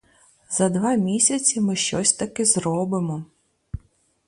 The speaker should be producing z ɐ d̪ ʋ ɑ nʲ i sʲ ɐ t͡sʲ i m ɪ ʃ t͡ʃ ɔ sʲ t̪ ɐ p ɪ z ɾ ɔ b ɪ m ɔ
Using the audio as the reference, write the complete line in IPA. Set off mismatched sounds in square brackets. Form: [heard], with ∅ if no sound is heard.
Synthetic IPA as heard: z ɐ d̪ ʋ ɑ [mʲ] i sʲ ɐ t͡sʲ i m ɪ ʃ t͡ʃ ɔ sʲ t̪ ɐ [k] ɪ z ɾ ɔ b ɪ m ɔ